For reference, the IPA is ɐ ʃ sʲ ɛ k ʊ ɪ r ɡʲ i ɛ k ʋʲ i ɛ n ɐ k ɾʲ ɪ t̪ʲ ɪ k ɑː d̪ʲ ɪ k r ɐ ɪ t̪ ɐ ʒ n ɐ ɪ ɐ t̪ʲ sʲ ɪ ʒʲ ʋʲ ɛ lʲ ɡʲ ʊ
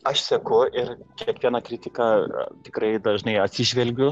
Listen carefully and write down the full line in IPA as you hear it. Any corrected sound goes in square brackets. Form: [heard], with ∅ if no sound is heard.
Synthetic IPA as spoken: ɐ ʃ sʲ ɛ k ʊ ɪ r [kʲ] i ɛ k ʋʲ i ɛ n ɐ k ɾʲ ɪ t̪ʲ ɪ k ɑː [t̪ʲ] ɪ k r ɐ ɪ [d̪] ɐ ʒ n ɐ ɪ ɐ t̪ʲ sʲ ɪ ʒʲ ʋʲ ɛ lʲ ɡʲ ʊ